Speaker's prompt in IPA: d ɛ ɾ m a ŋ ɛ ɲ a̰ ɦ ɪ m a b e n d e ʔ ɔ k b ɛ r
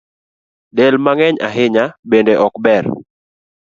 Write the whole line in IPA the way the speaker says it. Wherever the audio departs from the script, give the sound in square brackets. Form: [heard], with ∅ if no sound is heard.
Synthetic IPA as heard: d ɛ [l] m a ŋ ɛ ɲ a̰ ɦ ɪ [ɲ] a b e n d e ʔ ɔ k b ɛ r